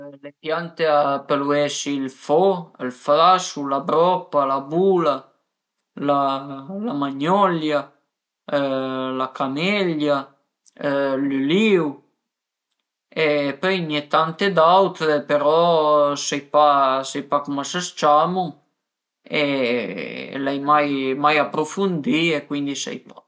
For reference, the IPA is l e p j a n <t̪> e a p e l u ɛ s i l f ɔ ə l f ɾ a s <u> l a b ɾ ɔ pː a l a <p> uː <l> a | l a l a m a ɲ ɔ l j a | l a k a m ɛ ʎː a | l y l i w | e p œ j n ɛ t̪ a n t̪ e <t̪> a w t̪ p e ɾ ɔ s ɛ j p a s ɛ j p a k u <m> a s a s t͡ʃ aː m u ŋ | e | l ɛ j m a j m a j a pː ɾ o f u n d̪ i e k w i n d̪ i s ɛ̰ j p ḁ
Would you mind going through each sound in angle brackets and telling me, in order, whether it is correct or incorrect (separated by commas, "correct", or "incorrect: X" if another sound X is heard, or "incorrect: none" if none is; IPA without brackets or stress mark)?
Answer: correct, correct, incorrect: b, correct, incorrect: d̪, correct